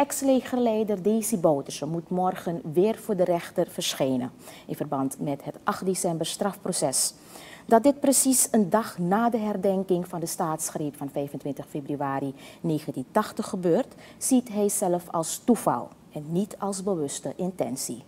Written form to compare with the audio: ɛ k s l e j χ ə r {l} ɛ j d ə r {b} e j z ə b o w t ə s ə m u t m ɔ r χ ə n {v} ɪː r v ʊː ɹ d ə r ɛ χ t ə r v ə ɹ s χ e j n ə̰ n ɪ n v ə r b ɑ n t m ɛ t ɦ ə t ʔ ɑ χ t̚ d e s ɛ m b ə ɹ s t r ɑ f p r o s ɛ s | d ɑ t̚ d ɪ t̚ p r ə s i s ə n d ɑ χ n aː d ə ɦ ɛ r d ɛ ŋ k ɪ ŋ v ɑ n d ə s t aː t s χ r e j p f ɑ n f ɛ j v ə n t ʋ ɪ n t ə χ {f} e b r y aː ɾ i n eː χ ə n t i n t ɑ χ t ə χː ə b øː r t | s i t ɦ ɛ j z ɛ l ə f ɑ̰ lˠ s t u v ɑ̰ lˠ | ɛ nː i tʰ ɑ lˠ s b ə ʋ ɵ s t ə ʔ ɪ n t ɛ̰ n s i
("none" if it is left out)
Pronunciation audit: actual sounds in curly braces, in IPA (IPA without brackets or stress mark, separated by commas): l, d, ʋ, f